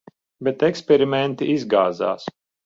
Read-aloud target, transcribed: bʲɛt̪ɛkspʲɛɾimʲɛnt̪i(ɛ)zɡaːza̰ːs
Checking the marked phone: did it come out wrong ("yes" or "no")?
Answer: yes